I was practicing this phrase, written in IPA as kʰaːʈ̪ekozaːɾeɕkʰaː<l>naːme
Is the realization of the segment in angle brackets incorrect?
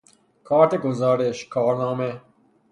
yes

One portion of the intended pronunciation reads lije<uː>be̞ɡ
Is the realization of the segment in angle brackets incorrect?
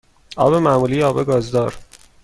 yes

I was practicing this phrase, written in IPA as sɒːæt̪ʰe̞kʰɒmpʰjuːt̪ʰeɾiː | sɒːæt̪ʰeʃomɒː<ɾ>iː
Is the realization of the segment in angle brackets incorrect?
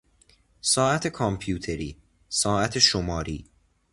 no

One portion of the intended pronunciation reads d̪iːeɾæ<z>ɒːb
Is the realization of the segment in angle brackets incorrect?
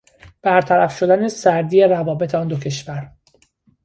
yes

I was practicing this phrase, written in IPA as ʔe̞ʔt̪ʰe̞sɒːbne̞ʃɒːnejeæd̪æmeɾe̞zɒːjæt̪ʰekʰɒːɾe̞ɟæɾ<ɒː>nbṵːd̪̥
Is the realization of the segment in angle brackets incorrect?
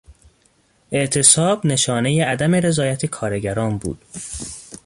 no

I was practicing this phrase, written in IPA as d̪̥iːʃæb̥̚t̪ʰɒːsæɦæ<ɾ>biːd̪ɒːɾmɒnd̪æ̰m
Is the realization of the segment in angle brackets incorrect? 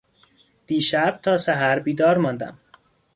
no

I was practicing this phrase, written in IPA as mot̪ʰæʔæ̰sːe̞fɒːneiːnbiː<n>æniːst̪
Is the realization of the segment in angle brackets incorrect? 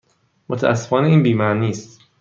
yes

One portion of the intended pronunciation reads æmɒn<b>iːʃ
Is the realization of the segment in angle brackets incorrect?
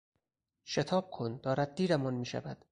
yes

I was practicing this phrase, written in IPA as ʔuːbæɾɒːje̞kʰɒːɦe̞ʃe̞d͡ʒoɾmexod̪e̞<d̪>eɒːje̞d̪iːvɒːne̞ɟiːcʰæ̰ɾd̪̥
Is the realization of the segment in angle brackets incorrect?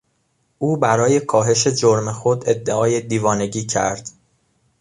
yes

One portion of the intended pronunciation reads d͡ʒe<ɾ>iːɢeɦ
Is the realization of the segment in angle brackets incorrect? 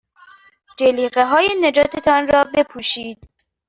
yes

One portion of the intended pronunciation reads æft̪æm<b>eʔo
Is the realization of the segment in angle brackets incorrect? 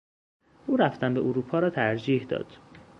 no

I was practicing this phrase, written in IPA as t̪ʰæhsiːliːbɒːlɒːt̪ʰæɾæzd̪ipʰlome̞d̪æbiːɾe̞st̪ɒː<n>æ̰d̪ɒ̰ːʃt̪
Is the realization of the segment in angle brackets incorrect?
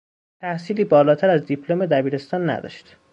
yes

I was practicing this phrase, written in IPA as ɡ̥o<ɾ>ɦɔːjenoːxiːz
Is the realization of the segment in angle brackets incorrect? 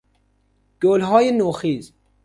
yes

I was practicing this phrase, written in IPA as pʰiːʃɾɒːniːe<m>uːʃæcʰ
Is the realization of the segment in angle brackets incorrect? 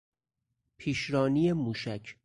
no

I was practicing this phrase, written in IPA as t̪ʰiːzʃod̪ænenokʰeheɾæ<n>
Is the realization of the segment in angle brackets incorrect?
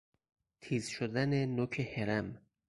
yes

